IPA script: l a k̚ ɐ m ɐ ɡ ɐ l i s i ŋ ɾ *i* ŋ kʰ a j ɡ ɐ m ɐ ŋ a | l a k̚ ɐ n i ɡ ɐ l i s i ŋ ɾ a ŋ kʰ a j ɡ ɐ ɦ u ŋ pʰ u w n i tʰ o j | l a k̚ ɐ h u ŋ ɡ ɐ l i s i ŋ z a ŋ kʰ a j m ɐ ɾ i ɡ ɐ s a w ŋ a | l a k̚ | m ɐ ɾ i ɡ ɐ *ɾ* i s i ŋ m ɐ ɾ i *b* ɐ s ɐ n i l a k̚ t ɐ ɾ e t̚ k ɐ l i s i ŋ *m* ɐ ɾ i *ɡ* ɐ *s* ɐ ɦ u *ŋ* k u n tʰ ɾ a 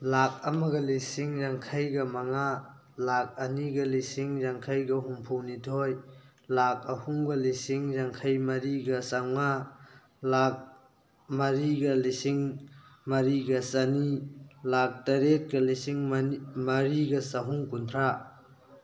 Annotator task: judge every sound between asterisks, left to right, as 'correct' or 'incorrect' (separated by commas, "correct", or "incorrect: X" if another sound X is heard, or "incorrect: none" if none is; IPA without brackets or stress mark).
incorrect: a, incorrect: l, incorrect: ɡ, correct, correct, correct, correct